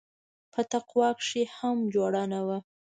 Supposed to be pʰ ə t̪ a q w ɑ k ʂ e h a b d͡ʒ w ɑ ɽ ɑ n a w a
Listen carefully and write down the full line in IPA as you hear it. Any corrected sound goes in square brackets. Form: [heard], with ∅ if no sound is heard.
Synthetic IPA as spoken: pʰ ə t̪ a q w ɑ k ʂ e h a [m] d͡ʒ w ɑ ɽ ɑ n a w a